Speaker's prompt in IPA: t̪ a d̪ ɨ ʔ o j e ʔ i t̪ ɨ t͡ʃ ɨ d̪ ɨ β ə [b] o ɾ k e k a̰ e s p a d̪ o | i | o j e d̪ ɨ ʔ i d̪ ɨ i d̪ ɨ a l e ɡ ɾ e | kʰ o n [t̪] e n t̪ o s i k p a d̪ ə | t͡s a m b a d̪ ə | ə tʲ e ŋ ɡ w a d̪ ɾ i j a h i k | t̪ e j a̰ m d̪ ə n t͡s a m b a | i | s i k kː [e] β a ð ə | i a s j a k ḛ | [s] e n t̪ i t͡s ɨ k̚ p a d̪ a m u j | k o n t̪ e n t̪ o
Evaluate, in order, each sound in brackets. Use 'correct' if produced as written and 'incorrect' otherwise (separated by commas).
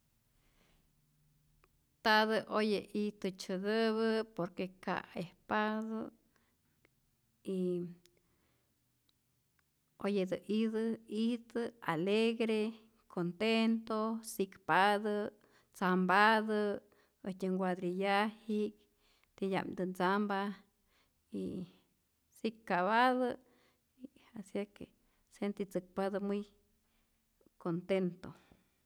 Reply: incorrect, correct, incorrect, correct